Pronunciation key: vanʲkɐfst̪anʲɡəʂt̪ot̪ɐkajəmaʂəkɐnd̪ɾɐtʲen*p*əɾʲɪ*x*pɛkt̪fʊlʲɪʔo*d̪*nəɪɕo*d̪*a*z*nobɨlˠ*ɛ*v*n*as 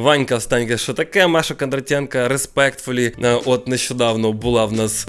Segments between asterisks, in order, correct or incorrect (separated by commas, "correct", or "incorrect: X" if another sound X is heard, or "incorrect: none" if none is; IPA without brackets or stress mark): incorrect: k, incorrect: s, incorrect: t̪, correct, incorrect: v, incorrect: a, correct